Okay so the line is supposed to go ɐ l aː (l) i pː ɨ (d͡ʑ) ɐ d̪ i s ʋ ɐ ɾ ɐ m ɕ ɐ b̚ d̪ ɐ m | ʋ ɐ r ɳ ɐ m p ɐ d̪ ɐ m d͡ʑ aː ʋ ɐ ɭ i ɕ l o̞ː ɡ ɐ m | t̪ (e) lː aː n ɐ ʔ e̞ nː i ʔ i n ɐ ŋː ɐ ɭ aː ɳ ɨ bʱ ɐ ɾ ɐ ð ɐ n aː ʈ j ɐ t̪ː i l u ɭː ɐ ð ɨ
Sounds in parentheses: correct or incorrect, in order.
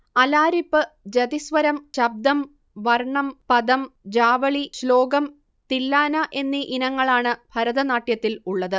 incorrect: ɾ, correct, incorrect: i

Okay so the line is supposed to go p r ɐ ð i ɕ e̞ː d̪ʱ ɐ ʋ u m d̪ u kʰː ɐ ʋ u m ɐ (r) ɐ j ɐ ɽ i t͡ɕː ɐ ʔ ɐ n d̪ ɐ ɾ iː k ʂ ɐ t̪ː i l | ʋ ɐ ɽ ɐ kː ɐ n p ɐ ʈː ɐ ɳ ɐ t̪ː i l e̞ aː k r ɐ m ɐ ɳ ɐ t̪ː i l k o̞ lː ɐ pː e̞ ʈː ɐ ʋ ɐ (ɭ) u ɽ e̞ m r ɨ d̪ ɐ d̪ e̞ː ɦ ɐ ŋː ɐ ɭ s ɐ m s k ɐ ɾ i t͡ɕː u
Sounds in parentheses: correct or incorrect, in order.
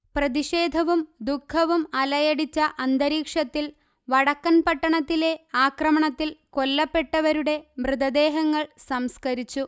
incorrect: l, incorrect: ɾ

